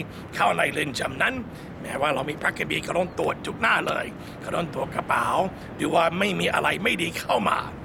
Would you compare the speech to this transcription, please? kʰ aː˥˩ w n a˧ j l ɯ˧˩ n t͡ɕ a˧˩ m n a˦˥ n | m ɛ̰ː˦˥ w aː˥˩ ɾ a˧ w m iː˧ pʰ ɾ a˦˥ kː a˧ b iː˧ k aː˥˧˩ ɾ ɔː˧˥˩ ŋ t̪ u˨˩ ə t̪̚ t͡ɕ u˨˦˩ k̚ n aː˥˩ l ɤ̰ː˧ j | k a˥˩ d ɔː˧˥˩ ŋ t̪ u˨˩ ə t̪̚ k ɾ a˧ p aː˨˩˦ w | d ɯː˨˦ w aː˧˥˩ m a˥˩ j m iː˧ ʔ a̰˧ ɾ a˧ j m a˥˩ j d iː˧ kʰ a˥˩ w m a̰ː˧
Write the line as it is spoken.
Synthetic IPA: kʰ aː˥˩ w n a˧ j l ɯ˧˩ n t͡ɕ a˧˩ m n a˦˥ n | m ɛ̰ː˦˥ w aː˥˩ ɾ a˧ w m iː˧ pʰ ɾ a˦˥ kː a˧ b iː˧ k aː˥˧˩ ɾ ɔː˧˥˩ ŋ t̪ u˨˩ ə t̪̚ t͡ɕ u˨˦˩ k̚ n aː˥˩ l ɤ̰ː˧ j | k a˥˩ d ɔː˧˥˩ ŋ t̪ u˨˩ ə t̪̚ k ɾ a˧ p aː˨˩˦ w | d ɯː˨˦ w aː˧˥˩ m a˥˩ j m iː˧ ʔ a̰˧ ɾ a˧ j m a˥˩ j d iː˧ kʰ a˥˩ w m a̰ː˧